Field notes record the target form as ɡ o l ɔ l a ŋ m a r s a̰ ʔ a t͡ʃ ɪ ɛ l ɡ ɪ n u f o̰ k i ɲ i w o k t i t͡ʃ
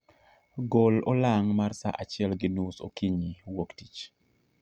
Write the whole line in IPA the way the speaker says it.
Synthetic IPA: ɡ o l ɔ l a ŋ m a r s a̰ ʔ a t͡ʃ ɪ ɛ l ɡ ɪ n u s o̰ k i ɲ i w o k t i t͡ʃ